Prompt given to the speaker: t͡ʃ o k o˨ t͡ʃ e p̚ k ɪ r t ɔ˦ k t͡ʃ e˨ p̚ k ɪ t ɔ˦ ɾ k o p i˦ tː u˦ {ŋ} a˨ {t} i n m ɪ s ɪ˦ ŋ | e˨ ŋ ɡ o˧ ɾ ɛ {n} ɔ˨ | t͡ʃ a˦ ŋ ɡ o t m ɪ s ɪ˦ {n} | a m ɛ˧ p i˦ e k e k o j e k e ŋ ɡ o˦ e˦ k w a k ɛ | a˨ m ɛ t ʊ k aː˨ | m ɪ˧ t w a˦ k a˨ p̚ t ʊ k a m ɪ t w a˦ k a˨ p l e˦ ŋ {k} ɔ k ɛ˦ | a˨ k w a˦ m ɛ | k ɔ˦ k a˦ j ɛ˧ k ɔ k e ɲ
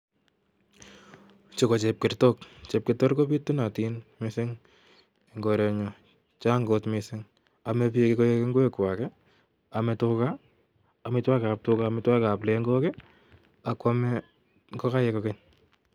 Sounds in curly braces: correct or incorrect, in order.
incorrect: n, correct, incorrect: ɲ, incorrect: ŋ, incorrect: ɡ

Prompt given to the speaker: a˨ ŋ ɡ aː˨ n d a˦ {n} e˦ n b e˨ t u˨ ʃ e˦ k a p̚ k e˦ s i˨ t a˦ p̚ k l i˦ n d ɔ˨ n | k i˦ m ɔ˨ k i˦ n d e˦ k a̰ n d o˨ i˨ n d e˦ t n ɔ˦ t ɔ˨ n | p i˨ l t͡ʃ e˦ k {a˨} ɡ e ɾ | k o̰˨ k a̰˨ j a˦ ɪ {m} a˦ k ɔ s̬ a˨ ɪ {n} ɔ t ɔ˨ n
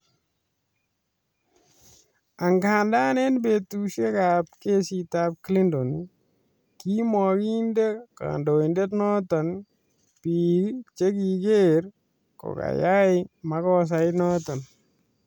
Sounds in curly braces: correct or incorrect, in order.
correct, incorrect: i˨, correct, correct

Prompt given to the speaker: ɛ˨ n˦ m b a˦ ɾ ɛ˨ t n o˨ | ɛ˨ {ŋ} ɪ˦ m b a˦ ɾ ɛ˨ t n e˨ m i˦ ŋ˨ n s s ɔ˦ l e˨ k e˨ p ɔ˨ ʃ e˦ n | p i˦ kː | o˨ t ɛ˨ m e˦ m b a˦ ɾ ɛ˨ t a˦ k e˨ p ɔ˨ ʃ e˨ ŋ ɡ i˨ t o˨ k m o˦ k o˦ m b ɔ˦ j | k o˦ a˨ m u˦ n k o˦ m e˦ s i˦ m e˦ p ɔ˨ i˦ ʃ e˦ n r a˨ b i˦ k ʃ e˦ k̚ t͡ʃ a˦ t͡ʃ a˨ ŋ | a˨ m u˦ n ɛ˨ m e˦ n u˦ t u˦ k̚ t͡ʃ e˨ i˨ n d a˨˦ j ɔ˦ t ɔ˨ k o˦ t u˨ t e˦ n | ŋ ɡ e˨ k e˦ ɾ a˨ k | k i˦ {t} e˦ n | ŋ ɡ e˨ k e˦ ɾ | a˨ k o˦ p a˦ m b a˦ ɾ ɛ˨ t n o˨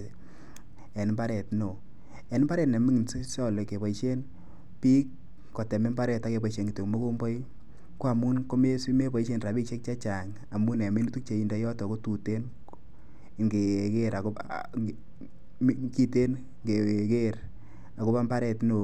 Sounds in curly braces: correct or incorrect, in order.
incorrect: n, correct

